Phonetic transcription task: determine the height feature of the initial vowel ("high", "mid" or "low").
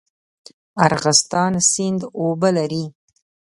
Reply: low